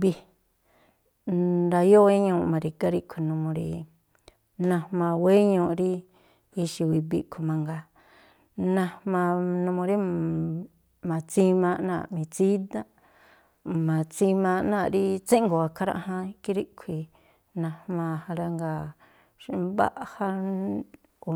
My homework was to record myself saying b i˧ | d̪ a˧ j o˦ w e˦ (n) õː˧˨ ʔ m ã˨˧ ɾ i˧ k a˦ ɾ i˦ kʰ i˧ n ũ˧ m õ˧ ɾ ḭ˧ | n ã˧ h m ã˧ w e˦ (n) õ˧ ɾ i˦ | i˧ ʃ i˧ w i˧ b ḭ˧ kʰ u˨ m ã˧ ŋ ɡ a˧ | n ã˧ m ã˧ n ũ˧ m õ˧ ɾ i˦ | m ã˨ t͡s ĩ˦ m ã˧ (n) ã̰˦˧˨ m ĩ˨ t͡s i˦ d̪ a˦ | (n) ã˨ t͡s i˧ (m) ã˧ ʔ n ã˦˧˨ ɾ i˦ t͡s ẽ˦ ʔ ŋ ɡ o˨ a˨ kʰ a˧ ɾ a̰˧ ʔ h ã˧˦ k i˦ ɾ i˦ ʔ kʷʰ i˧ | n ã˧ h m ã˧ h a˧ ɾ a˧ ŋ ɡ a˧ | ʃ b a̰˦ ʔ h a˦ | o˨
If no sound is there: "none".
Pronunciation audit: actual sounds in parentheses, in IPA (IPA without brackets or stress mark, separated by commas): ɲ, ɲ, n, m, m